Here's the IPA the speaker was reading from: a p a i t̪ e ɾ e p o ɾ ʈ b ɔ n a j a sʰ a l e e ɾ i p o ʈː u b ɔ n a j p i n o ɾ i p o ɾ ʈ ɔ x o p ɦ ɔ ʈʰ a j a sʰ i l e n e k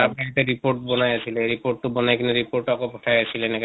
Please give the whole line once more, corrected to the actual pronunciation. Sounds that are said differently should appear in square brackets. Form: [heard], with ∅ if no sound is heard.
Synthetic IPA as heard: a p a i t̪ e ɾ [i] p o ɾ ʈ b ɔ n a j a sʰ [i] l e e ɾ i p o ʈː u b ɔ n a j [k] i n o ɾ i p o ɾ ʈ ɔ [k] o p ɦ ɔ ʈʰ a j a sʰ i l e n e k